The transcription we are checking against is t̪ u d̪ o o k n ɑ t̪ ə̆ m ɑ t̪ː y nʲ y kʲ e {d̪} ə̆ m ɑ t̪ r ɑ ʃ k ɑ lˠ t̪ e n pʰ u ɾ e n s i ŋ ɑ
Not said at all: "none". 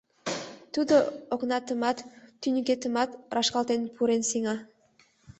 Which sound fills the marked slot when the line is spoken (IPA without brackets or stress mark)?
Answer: t̪